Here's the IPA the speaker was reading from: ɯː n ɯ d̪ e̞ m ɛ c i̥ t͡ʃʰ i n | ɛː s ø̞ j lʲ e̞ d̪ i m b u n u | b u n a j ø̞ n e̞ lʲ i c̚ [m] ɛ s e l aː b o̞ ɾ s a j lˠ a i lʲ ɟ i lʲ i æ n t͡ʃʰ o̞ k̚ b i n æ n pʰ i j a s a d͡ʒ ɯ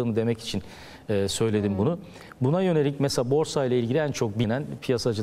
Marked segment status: correct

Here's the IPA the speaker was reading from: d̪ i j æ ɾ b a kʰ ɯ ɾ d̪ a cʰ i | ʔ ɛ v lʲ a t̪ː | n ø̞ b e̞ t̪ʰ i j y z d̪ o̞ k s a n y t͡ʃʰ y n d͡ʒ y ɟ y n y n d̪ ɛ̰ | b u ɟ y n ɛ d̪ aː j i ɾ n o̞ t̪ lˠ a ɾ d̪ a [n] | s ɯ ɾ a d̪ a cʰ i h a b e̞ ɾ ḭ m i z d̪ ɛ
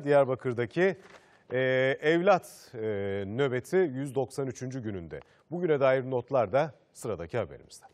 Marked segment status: incorrect: none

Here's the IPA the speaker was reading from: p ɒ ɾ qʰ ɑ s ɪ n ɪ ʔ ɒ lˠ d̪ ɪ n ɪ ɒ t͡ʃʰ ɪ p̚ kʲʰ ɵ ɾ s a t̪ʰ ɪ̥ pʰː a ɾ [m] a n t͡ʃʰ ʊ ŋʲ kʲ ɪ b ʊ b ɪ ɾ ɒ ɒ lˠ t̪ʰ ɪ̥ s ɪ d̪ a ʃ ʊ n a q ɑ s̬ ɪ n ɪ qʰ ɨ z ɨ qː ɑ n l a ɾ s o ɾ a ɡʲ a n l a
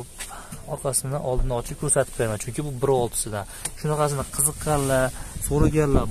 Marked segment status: correct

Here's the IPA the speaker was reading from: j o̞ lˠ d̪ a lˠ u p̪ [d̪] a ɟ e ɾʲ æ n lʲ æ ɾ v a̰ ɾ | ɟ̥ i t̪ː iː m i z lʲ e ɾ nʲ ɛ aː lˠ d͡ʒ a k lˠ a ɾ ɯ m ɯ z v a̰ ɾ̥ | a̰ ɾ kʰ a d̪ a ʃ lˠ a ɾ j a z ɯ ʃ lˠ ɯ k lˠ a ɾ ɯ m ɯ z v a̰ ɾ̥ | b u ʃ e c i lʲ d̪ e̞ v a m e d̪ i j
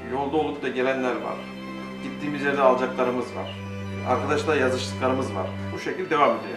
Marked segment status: correct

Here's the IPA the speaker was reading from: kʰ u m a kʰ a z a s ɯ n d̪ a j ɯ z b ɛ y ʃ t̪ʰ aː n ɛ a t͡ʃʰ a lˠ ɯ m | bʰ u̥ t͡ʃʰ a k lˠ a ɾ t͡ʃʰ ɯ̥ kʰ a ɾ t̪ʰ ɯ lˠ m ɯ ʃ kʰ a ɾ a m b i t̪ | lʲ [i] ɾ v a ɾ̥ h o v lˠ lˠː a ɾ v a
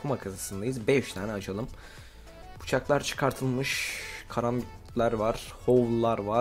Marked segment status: incorrect: æ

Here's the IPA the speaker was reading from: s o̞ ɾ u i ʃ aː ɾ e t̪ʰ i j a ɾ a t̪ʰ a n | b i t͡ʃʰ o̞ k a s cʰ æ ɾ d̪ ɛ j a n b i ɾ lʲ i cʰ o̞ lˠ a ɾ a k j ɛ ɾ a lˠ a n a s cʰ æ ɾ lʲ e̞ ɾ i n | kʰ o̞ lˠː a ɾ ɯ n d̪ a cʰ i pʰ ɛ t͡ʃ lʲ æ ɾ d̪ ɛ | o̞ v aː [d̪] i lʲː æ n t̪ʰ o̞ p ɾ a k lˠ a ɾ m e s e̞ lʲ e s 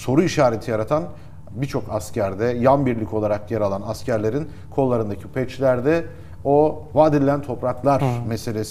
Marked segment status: correct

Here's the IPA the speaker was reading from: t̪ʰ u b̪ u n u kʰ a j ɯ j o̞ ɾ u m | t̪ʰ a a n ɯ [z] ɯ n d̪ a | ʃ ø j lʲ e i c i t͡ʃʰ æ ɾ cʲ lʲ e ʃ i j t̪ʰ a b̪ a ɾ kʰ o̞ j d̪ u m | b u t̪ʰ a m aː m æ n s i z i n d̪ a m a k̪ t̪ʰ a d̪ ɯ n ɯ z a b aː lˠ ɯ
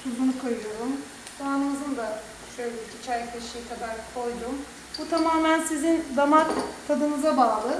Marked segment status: correct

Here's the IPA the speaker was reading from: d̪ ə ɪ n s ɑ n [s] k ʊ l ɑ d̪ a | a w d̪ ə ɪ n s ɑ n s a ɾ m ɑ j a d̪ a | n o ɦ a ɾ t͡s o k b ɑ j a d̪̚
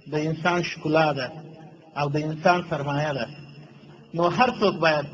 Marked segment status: incorrect: ʃ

